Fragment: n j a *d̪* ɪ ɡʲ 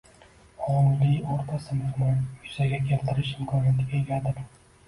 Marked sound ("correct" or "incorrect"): incorrect